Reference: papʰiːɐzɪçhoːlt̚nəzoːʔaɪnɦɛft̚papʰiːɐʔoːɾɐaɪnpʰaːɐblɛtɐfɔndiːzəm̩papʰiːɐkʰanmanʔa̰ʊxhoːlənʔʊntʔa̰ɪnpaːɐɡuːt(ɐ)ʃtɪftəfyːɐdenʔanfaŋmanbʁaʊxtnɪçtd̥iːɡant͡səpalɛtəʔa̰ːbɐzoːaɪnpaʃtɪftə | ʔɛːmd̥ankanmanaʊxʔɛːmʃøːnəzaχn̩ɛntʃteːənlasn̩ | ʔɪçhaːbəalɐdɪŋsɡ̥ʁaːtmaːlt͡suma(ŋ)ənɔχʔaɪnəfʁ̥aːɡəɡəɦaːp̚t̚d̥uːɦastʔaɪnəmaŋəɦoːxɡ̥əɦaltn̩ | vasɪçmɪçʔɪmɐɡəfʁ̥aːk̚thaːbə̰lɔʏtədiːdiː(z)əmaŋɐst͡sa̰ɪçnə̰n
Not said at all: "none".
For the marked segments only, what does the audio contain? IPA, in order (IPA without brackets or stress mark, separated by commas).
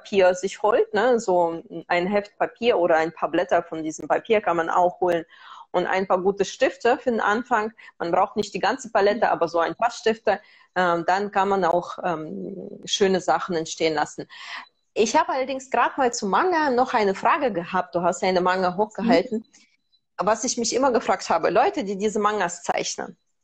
ə, ŋ, z